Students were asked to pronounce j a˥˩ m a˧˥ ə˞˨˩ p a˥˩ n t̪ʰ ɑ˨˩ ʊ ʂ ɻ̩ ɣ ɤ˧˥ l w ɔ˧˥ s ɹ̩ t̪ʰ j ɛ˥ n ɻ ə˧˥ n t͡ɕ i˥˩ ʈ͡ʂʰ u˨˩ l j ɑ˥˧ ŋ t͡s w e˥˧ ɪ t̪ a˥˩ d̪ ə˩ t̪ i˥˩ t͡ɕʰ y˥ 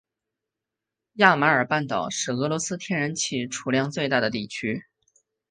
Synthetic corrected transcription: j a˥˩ m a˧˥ ə˞˨˩ p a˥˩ n t̪ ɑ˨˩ ʊ ʂ ɻ̩ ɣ ɤ˧˥ l w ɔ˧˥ s ɹ̩ t̪ʰ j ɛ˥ n ɻ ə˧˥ n t͡ɕʰ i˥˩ ʈ͡ʂʰ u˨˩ l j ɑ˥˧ ŋ t͡s w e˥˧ ɪ t̪ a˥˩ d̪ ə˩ t̪ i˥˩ t͡ɕʰ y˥

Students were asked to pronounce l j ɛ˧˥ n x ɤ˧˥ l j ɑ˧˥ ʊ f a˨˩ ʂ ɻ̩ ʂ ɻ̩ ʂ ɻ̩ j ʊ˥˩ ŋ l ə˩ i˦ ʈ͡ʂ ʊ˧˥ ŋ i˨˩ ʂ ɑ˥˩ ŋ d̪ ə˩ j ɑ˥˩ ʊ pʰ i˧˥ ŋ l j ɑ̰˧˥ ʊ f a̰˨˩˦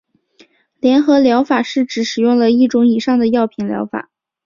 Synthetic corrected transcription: l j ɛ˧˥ n x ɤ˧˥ l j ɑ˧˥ ʊ f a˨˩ ʂ ɻ̩ ʈ͡ʂ ɻ̩ ʂ ɻ̩ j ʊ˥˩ ŋ l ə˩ i˥˩ ʈ͡ʂ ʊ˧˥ ŋ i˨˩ ʂ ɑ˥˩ ŋ d̪ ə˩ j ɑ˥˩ ʊ pʰ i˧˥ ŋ l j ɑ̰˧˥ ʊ f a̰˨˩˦

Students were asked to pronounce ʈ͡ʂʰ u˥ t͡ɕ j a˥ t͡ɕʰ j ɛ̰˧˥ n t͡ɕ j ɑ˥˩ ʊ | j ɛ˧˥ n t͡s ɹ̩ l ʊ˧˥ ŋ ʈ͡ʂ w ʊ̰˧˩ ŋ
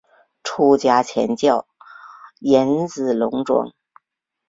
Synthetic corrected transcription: ʈ͡ʂʰ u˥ t͡ɕ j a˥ t͡ɕʰ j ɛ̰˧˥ n t͡ɕ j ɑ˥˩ ʊ | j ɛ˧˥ n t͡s ɹ̩ l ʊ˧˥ ŋ ʈ͡ʂ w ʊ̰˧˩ ŋ

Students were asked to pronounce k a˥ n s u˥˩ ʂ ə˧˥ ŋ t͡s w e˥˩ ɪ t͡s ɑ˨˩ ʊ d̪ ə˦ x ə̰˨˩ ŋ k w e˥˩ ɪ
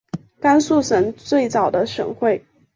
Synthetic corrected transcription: k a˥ n s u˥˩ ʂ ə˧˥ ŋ t͡s w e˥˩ ɪ t͡s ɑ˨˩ ʊ d̪ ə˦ ʂ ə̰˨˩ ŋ x w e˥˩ ɪ

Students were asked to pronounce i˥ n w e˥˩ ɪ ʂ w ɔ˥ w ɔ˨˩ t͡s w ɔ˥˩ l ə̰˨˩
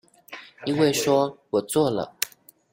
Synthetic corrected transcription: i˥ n w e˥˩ ɪ ʂ w ɔ˥ w ɔ˨˩ t͡s w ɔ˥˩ l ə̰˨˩

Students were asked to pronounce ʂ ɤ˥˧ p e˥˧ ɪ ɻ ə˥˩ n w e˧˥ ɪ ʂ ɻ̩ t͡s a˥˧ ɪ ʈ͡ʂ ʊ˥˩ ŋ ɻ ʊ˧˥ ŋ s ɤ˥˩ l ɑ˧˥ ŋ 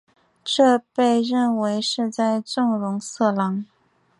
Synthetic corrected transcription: ʈ͡ʂ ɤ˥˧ p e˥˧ ɪ ɻ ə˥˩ n w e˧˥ ɪ ʂ ɻ̩ t͡s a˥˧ ɪ ʈ͡ʂ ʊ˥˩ ŋ ɻ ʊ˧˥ ŋ s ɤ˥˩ l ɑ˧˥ ŋ

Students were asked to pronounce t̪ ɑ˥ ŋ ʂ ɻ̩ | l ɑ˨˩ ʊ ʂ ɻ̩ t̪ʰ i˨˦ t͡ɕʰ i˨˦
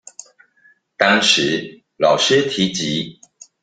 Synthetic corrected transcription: t̪ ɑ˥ ŋ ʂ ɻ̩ | l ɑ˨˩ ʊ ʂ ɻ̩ t̪ʰ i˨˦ t͡ɕ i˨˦

